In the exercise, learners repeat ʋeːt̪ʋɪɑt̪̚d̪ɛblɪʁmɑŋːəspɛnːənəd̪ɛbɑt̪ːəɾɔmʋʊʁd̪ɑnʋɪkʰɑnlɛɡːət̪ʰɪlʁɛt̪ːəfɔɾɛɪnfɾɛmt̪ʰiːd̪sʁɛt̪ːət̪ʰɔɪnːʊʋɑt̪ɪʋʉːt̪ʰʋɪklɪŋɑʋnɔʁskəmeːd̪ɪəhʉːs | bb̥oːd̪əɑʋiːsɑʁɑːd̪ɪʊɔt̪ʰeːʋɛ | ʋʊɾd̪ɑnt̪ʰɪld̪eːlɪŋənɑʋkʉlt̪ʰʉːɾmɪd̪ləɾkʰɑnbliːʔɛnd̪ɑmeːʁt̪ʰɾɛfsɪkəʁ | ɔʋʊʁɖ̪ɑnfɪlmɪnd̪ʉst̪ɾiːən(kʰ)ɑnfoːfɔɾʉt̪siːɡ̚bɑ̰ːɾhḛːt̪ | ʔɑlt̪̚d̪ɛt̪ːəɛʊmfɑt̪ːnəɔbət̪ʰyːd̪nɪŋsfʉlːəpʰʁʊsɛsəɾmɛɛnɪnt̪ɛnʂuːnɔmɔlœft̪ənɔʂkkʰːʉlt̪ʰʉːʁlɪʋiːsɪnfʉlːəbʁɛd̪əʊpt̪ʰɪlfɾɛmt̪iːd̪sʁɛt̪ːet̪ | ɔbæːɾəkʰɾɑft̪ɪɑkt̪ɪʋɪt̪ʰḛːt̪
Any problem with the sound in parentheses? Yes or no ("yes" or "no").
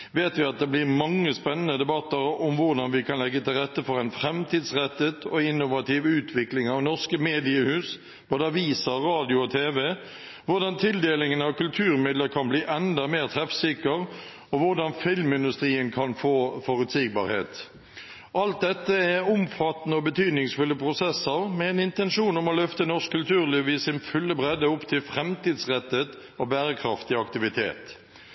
no